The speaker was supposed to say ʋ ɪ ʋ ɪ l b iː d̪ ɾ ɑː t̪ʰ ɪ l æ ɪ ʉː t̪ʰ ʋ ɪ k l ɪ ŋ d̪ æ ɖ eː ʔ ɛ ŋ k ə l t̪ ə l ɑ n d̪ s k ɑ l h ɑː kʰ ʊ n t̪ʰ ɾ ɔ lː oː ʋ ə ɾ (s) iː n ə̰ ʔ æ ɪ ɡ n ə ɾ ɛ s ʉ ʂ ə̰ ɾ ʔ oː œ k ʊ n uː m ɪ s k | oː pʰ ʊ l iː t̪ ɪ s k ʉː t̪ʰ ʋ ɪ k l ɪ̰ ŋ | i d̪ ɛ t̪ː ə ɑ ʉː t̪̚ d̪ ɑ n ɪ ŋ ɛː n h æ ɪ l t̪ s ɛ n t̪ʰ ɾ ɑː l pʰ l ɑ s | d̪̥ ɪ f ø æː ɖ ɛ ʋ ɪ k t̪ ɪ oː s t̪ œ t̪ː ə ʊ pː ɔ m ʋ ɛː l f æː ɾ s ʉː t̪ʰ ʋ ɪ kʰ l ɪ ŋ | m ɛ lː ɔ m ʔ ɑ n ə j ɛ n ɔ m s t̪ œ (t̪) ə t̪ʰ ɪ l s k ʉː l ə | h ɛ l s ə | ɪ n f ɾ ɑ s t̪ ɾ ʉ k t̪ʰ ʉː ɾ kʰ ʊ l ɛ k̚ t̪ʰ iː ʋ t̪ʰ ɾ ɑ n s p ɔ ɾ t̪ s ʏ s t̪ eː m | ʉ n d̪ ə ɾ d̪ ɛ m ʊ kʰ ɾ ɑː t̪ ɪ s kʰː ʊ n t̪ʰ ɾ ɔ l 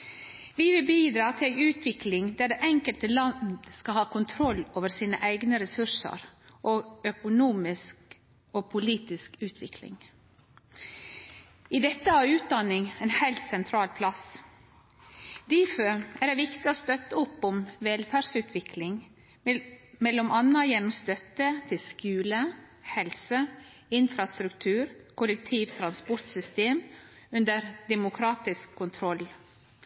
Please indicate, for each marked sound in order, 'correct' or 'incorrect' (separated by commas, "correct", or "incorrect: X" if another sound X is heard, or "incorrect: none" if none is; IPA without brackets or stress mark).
correct, correct